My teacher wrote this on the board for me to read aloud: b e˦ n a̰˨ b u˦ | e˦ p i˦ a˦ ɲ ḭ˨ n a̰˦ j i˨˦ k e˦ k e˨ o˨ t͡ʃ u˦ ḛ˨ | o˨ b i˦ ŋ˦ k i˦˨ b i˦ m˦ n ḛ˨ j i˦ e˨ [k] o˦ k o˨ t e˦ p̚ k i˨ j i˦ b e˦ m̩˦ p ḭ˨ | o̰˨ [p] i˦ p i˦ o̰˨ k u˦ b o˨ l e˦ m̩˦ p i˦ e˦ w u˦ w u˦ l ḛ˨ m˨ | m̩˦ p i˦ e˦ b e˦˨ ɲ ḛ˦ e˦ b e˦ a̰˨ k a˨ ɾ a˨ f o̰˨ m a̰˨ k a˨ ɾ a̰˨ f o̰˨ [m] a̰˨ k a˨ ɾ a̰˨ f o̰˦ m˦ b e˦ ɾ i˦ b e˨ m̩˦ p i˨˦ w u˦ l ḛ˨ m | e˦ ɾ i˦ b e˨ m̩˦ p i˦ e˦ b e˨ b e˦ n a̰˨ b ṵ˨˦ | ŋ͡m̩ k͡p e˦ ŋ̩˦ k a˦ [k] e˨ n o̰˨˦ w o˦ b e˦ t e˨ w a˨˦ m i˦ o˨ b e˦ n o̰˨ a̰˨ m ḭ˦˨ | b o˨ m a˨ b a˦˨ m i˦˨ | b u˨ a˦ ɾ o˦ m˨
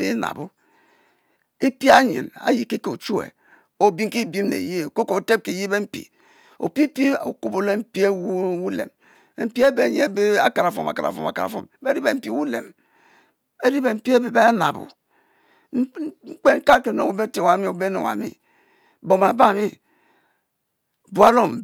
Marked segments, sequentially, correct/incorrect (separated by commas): correct, correct, correct, correct